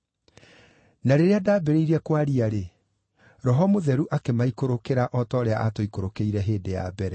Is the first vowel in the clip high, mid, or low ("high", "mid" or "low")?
low